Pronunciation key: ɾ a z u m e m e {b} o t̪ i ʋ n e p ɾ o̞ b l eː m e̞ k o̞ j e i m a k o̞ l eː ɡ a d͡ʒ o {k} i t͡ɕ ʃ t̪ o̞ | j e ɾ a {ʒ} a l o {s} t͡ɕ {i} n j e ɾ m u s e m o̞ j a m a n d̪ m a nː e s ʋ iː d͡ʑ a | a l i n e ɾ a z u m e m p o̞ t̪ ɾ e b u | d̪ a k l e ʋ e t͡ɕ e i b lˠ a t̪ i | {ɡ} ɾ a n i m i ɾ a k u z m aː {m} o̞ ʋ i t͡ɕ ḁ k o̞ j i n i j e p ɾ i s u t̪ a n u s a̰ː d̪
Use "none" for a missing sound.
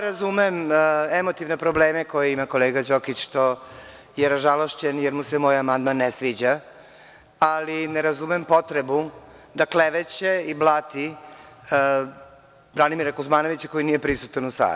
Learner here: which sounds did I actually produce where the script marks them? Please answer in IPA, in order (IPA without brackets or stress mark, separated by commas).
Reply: m, k, ʒ, ʃ, e, b, n